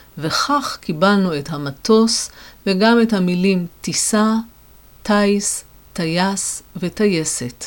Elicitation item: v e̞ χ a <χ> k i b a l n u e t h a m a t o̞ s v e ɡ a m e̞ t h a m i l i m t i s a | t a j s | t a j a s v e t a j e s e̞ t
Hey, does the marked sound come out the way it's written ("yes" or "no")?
yes